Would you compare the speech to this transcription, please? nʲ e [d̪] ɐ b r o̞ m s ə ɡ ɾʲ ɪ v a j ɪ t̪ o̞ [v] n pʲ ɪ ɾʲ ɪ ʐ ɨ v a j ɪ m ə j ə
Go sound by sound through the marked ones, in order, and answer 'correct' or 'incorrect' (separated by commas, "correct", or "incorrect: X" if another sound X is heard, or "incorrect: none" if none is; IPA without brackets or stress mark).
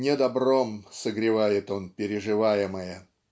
correct, incorrect: none